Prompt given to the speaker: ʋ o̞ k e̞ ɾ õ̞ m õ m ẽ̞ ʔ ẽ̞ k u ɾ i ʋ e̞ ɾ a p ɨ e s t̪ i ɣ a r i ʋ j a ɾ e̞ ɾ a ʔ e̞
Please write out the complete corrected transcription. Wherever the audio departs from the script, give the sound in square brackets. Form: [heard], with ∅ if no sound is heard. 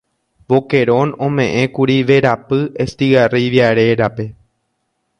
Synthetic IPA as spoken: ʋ o̞ k e̞ ɾ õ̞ [n] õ m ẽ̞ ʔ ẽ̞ k u ɾ i ʋ e̞ ɾ a p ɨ e s t̪ i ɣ a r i ʋ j a ɾ e̞ ɾ a [p] e̞